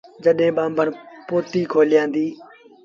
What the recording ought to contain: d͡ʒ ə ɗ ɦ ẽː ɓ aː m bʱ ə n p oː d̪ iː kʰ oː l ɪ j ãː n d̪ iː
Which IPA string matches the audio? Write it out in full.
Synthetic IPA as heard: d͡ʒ ə ɗ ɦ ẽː ɓ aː m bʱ ə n p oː t̪ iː kʰ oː l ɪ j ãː n d̪ iː

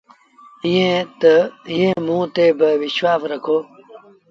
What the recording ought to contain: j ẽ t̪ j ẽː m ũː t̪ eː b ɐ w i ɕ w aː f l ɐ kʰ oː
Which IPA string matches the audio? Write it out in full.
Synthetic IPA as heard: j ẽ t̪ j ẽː m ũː t̪ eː b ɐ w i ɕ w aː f ɾ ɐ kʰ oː

